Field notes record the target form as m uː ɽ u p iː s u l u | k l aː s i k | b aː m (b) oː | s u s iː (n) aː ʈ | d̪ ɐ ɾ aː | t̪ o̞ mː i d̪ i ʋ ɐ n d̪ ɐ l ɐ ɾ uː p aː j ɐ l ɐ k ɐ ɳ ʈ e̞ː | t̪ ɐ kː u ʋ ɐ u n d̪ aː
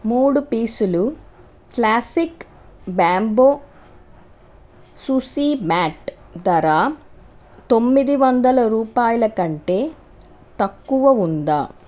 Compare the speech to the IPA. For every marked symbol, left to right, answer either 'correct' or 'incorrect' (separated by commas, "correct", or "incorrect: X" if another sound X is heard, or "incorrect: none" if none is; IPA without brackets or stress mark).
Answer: correct, incorrect: m